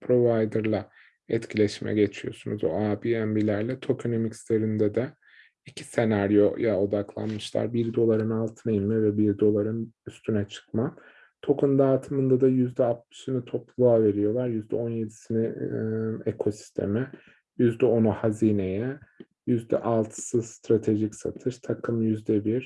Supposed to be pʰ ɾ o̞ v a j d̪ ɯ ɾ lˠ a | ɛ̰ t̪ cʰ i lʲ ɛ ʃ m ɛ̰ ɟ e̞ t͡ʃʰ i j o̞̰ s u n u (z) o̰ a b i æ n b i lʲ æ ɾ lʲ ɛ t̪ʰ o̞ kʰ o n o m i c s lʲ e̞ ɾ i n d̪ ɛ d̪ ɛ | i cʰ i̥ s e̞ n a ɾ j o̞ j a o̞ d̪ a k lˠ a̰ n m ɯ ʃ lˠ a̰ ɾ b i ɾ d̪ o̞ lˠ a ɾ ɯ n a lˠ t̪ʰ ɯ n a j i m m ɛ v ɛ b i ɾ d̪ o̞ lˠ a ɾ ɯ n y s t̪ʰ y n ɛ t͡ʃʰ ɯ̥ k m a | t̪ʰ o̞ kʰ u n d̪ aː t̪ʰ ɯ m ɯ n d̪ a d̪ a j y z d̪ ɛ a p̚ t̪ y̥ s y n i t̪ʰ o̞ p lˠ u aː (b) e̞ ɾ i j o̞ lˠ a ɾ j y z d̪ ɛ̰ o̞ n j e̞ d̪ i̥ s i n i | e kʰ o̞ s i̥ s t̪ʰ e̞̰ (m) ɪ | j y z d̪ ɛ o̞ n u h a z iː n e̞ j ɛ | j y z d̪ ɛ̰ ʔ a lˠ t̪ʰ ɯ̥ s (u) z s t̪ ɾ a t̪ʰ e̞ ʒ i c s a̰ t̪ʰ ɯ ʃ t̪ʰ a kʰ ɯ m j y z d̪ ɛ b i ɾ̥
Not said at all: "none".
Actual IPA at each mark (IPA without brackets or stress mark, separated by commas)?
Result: z, v, m, ɯ